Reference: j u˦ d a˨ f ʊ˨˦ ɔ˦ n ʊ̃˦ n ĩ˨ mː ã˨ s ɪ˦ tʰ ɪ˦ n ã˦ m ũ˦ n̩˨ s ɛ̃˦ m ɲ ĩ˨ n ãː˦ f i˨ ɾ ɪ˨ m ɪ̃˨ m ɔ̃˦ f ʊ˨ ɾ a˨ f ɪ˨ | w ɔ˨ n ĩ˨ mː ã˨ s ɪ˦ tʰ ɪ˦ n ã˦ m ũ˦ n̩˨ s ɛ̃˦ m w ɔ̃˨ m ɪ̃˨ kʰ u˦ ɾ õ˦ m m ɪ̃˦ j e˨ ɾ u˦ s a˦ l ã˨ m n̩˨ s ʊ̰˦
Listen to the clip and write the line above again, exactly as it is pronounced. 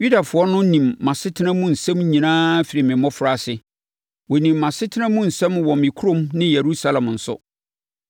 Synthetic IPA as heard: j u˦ d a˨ f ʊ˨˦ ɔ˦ n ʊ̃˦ n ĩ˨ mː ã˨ s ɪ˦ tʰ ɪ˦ n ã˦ m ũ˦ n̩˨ s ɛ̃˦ m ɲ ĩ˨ n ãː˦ f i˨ ɾ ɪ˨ m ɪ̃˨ m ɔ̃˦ f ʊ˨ ɾ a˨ s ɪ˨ | w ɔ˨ n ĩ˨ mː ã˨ s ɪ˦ tʰ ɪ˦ n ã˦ m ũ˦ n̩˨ s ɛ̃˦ m w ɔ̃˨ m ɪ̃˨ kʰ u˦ ɾ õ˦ m n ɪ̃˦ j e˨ ɾ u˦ s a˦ l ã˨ m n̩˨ s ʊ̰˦